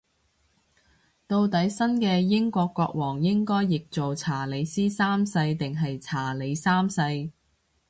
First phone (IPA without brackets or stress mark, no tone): t̪